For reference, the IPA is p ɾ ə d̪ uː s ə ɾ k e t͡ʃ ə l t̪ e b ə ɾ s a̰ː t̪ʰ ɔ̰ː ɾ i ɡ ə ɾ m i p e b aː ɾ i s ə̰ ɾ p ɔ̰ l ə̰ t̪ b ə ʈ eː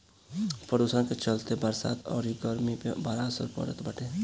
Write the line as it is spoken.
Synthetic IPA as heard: p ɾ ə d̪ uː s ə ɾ k e t͡ʃ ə l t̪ e b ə ɾ s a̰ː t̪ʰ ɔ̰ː ɾ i ɡ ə ɾ m i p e b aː ɾ a s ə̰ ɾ p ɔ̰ ɾ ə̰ t̪ b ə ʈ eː

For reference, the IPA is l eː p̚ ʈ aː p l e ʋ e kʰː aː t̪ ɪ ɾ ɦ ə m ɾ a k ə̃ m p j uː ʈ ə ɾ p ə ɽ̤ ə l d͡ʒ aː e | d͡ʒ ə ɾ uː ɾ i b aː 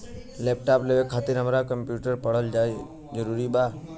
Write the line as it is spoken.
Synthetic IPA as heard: l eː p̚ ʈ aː p l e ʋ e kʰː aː t̪ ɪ ɾ ɦ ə m ɾ a k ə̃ m p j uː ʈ ə ɾ p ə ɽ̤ ə l d͡ʒ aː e | d͡ʒ ə ɾ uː ɾ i b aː

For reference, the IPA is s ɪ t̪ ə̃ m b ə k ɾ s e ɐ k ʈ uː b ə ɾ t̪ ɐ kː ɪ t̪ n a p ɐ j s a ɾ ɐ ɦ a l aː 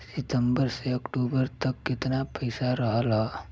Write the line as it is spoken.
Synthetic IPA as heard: s ɪ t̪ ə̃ m b ə ɾ s e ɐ k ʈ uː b ə ɾ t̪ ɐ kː ɪ t̪ n a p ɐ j s a ɾ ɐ ɦ a l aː

